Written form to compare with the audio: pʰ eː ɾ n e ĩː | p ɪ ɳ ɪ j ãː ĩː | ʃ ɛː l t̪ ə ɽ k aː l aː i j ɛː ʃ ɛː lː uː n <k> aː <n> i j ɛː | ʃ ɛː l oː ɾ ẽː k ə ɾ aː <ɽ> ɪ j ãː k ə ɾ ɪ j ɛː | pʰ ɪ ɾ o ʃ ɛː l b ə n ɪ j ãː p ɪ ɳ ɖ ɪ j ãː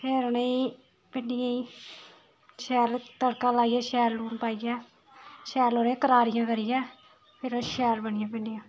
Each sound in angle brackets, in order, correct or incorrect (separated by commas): incorrect, incorrect, incorrect